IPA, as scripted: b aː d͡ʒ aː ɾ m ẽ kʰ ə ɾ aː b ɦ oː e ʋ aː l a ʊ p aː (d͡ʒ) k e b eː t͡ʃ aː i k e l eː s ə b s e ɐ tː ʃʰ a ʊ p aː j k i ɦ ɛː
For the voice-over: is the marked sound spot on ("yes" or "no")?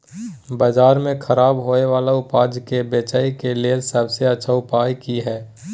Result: yes